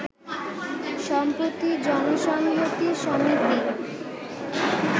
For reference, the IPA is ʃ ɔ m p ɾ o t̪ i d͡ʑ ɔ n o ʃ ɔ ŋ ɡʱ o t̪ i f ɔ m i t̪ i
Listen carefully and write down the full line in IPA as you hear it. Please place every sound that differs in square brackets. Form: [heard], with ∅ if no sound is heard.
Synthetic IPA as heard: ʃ ɔ m p ɾ o t̪ i d͡ʑ ɔ n o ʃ ɔ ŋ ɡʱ o t̪ i [ʃ] ɔ m i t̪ i